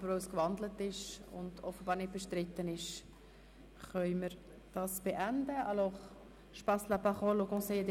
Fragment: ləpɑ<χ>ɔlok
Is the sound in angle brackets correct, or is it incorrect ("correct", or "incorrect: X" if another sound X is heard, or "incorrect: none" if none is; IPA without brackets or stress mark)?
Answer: correct